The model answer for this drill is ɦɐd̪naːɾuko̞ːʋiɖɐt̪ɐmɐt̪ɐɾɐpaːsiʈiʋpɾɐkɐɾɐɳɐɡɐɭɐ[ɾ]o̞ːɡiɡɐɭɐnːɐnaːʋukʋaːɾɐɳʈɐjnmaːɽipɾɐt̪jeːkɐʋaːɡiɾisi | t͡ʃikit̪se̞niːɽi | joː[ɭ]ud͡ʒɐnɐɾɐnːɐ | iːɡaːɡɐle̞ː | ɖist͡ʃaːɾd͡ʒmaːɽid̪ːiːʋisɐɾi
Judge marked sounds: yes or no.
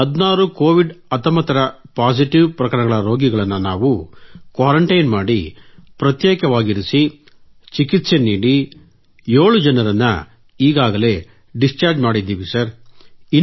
yes, yes

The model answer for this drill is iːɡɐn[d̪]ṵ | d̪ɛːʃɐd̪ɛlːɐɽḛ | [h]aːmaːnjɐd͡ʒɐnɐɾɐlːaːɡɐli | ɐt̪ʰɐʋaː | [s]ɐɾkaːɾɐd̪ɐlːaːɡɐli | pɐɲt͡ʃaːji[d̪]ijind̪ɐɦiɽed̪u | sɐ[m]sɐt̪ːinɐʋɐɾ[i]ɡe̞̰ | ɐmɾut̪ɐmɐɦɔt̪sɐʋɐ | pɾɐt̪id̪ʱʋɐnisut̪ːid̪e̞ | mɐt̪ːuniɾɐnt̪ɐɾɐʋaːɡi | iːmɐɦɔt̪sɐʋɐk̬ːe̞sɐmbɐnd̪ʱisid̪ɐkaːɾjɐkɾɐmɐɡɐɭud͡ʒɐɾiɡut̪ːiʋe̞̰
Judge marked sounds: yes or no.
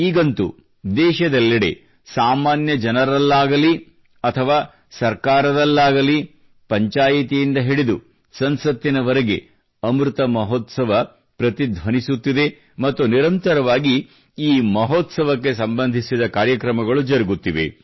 no, no, yes, no, no, no

